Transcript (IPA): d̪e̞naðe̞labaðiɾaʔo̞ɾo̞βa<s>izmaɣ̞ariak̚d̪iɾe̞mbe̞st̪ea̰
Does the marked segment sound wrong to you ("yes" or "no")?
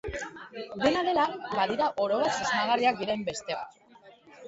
no